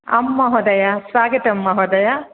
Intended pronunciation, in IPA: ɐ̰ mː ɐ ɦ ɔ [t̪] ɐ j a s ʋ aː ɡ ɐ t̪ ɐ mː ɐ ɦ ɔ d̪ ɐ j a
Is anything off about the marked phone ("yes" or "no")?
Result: yes